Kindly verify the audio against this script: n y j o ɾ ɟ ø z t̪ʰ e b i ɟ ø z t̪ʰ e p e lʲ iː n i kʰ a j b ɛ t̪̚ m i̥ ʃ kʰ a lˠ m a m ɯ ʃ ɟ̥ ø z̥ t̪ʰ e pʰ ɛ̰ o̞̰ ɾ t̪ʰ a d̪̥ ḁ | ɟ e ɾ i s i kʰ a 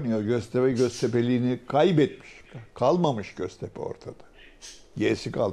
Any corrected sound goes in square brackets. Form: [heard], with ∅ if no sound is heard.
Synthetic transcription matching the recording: n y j o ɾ ɟ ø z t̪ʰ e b [ɛ] ɟ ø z t̪ʰ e p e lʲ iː n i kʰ a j b ɛ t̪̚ m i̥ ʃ kʰ a lˠ m a m ɯ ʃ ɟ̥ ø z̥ t̪ʰ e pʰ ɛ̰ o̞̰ ɾ t̪ʰ a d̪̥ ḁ | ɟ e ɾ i s i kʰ a